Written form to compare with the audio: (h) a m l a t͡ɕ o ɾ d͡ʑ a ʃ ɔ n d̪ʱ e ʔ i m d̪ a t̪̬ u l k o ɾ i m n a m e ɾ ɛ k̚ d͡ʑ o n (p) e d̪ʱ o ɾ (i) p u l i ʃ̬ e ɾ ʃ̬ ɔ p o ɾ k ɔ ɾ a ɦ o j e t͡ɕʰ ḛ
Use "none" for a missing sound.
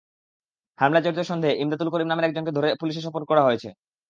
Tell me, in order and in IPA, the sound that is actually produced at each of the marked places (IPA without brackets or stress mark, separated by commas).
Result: h, k, e